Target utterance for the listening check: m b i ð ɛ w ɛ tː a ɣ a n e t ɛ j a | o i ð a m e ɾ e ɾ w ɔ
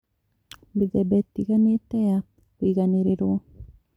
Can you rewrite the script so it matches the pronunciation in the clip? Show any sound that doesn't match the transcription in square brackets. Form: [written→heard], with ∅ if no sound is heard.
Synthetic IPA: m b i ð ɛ [w→b] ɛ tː [a→i] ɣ a n e t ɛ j a | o i [ð→ɣ] a [m→n] e ɾ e ɾ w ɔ